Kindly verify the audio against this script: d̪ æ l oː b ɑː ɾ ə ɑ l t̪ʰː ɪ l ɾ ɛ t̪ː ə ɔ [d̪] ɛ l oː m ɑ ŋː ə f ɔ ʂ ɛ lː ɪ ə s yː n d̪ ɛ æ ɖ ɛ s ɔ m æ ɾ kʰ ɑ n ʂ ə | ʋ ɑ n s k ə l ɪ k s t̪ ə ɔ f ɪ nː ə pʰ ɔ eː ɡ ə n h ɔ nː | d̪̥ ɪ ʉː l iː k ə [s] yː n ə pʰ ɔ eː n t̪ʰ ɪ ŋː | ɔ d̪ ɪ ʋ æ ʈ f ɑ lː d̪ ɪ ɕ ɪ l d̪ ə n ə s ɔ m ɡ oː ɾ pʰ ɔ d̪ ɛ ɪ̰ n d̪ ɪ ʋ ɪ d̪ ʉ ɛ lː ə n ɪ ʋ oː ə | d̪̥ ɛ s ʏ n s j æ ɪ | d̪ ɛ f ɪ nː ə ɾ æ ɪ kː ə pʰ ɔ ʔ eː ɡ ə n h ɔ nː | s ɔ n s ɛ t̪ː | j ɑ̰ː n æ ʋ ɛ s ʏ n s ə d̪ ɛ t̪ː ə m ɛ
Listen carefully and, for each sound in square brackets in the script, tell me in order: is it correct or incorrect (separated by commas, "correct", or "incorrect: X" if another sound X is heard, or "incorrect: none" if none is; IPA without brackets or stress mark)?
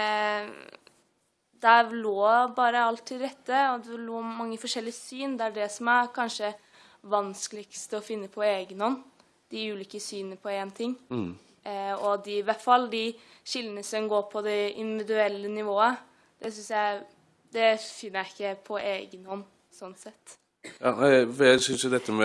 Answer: correct, correct